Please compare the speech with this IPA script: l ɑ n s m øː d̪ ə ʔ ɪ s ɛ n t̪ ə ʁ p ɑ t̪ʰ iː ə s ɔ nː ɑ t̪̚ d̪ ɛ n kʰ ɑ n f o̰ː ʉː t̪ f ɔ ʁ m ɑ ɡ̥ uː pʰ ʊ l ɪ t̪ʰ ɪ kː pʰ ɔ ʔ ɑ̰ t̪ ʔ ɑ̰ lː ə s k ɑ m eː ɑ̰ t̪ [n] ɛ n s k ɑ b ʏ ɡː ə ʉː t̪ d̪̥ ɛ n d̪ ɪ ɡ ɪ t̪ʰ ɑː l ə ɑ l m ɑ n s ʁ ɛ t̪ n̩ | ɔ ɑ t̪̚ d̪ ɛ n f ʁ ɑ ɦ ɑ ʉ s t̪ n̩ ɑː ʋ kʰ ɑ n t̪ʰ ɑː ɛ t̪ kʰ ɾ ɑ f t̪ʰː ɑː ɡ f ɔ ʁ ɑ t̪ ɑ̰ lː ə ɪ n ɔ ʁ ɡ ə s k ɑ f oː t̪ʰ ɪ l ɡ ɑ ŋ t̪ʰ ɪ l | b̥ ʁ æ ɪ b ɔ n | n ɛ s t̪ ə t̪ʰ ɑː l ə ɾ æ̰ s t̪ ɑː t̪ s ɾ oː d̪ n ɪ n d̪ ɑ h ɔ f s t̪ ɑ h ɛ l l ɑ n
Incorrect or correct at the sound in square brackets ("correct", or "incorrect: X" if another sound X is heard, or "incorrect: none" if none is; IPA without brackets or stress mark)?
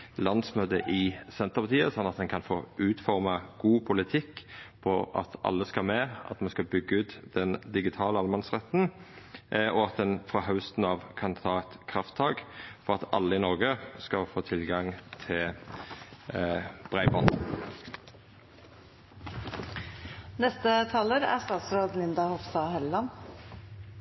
incorrect: m